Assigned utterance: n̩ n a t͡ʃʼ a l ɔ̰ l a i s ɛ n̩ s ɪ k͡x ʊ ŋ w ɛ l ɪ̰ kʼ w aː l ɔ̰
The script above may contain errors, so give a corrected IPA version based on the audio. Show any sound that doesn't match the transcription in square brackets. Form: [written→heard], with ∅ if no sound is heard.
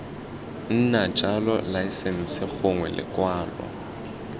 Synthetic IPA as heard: n̩ n a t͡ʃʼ a l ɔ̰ l a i s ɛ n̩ s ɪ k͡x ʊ ŋ w ɛ l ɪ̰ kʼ w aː l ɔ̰